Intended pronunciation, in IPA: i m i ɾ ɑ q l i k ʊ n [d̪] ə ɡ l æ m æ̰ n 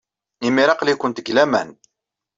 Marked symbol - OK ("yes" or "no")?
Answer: no